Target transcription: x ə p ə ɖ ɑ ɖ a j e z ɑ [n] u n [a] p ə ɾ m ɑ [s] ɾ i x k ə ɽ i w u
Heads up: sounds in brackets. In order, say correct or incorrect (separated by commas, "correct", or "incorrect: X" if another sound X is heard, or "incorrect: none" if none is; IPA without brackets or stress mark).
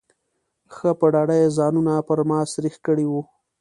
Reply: correct, correct, correct